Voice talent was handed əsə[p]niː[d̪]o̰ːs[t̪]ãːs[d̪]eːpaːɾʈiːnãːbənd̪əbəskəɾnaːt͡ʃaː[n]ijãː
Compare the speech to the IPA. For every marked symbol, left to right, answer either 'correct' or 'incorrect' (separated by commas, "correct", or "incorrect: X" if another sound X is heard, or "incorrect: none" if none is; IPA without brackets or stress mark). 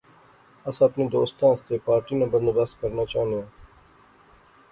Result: correct, correct, correct, incorrect: t̪, correct